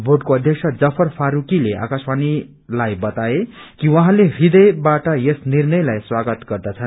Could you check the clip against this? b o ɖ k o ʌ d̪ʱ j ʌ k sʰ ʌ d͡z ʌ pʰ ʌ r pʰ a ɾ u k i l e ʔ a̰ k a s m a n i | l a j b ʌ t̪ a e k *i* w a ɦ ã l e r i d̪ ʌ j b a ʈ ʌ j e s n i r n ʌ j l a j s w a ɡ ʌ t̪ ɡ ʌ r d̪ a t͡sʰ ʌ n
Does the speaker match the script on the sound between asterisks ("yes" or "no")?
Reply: yes